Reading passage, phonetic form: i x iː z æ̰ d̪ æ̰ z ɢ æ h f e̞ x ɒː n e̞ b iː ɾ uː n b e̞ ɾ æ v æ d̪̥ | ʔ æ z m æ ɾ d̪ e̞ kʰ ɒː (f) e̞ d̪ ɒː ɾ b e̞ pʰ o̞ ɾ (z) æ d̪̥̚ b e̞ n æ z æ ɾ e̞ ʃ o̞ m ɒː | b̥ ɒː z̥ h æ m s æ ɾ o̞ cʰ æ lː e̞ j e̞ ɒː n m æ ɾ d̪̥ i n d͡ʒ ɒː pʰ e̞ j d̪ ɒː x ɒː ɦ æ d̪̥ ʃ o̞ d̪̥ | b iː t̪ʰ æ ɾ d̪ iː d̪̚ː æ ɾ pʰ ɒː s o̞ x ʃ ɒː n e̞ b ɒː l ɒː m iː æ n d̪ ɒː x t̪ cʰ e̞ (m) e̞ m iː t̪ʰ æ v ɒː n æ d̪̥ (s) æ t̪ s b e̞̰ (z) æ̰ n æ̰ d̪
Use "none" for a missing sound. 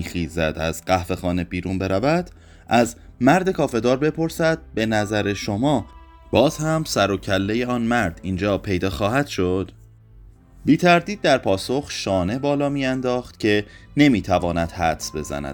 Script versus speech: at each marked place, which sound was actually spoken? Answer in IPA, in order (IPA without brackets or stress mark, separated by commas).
f, s, n, h, z